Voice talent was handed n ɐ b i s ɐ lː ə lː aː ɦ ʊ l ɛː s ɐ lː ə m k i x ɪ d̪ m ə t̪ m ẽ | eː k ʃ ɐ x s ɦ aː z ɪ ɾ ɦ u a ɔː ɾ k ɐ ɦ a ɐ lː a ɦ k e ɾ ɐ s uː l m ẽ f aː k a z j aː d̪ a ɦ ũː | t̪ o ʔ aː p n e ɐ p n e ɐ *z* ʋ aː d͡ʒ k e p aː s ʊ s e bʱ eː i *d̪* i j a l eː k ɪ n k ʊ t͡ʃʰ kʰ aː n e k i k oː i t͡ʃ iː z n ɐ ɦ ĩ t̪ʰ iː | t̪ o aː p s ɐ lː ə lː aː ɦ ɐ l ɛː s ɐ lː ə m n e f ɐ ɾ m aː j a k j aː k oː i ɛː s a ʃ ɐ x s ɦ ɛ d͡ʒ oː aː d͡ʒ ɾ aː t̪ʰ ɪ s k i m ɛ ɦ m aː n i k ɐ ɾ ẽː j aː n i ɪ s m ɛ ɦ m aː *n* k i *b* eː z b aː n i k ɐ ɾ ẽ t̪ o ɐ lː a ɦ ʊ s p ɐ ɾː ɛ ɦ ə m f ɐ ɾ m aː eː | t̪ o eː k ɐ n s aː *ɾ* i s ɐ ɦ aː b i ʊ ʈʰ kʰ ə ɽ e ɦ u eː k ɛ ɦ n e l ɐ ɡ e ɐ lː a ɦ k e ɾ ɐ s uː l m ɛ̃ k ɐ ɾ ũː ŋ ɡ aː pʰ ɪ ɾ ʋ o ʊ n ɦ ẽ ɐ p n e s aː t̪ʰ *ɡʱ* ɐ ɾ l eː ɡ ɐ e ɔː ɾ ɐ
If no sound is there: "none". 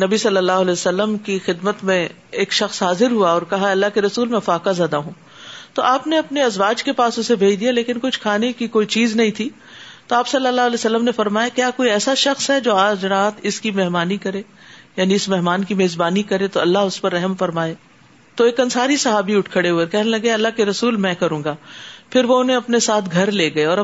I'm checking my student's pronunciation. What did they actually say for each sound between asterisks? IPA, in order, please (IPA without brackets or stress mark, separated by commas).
z, d̪, n, m, ɾ, ɡʱ